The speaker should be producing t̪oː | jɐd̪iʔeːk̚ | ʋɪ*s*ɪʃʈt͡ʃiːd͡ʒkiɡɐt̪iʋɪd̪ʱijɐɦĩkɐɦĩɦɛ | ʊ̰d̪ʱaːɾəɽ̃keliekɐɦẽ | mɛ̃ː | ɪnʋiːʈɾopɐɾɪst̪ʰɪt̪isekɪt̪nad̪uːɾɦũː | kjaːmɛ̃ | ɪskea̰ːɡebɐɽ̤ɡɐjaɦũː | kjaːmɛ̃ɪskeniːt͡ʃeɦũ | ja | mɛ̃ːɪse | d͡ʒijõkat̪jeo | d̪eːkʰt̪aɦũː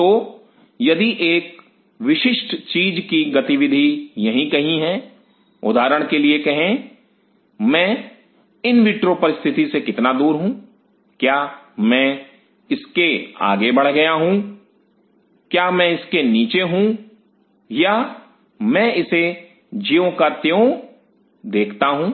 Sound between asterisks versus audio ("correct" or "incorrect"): incorrect